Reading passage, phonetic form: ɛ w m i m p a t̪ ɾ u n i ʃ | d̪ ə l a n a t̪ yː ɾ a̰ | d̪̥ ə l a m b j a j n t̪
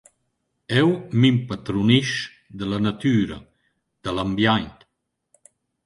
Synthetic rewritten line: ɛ w m i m p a t̪ ɾ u n i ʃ | d̪ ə l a n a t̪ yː ɾ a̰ | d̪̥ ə l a m b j a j n t̪

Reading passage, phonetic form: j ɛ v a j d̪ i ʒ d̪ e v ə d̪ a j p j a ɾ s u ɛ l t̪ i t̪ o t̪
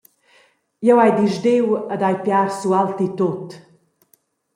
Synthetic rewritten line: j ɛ w a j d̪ i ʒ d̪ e w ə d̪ a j p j a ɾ s u a l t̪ i t̪ o t̪

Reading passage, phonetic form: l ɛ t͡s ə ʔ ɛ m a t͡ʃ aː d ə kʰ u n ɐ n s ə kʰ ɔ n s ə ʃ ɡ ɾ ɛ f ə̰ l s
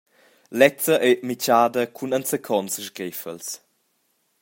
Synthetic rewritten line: l ɛ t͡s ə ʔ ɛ m i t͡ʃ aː d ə kʰ u n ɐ n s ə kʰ ɔ n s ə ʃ ɡ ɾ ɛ f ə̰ l s

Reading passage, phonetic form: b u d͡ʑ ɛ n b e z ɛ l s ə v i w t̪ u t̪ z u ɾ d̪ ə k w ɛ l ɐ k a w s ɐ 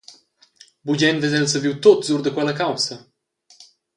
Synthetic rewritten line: b u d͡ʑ ɛ n v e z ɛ l s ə v i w t̪ o t̪ z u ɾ d̪ ə k w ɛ l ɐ k a w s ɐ

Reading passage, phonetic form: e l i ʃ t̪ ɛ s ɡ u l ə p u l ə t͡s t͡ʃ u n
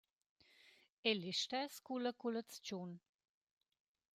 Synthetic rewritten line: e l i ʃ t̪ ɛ s k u l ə k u l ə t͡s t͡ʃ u n

